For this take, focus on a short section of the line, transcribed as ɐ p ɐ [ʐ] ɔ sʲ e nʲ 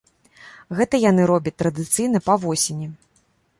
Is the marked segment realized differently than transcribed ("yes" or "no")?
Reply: yes